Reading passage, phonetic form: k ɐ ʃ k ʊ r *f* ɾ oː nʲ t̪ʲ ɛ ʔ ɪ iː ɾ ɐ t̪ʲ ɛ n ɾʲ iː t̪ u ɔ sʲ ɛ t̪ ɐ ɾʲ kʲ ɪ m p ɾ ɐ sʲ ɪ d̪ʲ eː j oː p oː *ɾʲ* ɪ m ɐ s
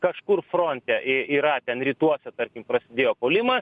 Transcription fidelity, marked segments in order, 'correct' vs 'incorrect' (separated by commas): correct, incorrect